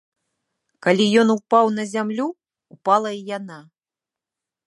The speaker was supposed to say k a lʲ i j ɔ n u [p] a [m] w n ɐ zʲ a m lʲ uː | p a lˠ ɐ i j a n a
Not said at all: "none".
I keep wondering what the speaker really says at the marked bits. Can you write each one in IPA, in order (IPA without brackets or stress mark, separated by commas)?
p, none